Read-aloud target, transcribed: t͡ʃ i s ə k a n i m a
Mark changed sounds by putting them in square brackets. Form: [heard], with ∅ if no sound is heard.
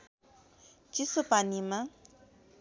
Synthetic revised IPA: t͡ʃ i s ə [p] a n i m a

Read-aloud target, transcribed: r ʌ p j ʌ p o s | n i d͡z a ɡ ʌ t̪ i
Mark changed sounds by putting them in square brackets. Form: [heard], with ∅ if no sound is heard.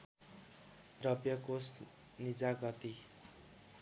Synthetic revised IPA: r ʌ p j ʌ [k] o s | n i d͡z a ɡ ʌ t̪ i

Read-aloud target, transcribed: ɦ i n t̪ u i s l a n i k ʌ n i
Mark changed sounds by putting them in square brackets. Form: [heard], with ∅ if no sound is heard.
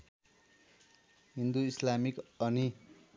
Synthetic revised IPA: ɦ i n [d̪] u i s l a [m] i k ʌ n i

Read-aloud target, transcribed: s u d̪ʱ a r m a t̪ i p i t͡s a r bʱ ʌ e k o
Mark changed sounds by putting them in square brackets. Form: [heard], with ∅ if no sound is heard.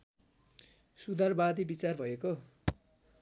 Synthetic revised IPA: s u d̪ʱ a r [b] a [d̪] i [b] i t͡s a r bʱ ʌ e k o

